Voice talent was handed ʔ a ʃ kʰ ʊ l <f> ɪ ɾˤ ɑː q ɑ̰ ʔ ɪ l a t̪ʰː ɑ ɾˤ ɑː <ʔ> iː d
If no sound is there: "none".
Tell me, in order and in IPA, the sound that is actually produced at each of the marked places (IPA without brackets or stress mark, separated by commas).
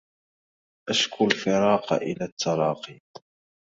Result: f, q